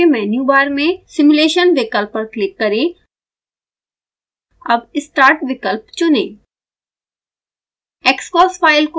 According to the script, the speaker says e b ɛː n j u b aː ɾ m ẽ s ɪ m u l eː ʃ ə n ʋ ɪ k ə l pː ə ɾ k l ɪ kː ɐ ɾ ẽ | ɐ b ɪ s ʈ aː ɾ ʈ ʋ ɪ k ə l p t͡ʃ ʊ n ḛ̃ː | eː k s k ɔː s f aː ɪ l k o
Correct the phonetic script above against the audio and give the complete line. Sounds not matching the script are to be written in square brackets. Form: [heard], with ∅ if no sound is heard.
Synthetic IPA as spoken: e [m] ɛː n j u b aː ɾ m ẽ s ɪ m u l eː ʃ ə n ʋ ɪ k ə l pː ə ɾ k l ɪ kː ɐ ɾ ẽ | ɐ b ɪ s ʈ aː ɾ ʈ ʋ ɪ k ə l p t͡ʃ ʊ n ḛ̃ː | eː k s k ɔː s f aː ɪ l k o